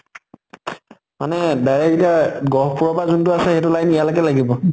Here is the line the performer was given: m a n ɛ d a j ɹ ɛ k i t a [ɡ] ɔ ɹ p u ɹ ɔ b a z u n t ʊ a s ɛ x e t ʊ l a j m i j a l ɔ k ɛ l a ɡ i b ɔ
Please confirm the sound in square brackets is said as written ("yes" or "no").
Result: yes